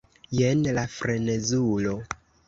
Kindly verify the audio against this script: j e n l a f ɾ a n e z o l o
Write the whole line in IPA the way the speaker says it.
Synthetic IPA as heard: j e n l a f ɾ e n e z u l o